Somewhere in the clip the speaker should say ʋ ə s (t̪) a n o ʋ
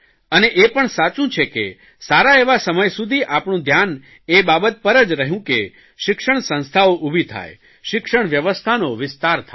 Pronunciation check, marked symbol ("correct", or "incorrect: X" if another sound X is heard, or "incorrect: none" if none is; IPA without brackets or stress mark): incorrect: t̪ʰ